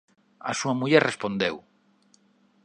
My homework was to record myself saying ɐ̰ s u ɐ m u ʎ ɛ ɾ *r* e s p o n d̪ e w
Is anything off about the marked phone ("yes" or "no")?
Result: no